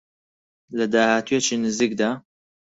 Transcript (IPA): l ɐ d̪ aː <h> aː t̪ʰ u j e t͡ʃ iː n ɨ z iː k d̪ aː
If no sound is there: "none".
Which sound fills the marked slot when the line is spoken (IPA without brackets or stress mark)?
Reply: h